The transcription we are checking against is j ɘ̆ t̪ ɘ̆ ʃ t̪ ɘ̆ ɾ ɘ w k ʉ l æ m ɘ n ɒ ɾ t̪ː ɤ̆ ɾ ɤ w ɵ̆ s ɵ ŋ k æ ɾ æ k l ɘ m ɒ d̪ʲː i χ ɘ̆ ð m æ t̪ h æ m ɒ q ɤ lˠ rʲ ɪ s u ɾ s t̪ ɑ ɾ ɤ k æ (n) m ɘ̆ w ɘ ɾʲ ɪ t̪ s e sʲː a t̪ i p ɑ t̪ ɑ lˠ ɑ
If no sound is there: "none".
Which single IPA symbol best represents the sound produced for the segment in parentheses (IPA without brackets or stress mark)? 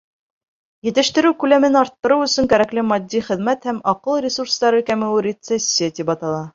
none